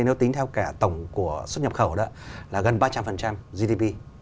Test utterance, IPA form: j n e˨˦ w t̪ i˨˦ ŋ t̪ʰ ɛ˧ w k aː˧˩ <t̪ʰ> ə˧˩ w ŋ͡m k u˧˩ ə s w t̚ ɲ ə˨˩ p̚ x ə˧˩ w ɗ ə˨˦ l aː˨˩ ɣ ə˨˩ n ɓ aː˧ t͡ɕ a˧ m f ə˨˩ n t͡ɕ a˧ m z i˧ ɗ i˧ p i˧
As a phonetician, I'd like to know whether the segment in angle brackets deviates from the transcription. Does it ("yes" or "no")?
yes